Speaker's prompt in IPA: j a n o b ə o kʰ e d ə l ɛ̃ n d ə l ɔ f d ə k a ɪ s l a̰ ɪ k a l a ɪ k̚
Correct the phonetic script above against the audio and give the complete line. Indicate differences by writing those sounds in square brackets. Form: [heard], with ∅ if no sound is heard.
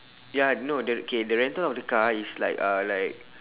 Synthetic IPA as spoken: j a n o [d] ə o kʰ e d ə [ɹ] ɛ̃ n [t] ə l ɔ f d ə k a [i] s l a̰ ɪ k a l a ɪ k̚